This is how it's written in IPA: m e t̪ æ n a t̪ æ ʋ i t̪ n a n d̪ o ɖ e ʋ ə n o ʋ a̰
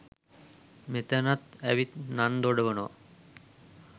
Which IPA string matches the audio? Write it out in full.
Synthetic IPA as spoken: m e t̪ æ n a t̪ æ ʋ i t̪ n a n d̪ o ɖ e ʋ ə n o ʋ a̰